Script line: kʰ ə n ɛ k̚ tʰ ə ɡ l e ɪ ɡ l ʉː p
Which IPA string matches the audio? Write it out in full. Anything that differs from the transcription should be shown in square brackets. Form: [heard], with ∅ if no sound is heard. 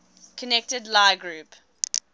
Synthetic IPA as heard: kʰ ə n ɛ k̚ [t] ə [d] l [a] ɪ ɡ [ɹ] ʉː p